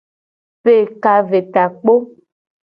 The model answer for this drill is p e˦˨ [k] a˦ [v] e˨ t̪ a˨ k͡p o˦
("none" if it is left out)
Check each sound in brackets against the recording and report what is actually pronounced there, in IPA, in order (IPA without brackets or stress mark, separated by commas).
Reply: k, v